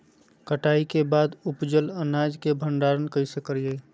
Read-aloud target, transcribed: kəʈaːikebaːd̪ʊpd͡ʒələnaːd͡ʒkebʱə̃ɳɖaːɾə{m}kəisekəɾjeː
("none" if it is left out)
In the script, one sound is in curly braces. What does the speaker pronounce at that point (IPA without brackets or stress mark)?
n